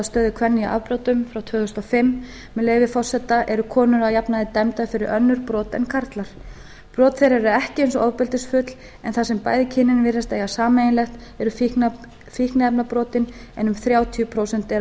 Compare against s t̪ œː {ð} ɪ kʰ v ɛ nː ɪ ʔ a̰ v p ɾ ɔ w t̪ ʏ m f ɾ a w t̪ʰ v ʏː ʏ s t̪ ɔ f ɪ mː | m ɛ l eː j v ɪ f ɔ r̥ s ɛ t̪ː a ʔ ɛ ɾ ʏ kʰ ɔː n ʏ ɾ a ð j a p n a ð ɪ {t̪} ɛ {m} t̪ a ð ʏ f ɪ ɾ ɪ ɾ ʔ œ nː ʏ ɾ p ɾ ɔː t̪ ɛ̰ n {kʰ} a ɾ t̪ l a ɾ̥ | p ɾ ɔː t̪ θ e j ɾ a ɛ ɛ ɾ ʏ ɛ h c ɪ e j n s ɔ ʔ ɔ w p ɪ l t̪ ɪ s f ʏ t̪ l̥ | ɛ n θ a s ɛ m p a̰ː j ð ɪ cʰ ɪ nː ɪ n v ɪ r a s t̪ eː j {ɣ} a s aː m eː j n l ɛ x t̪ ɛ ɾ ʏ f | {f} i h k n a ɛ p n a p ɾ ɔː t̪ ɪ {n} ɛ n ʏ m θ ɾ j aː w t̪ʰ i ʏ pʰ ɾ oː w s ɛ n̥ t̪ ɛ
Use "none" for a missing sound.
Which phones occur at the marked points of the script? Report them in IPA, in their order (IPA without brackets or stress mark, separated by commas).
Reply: ð, t̪, m, kʰ, ɣ, f, n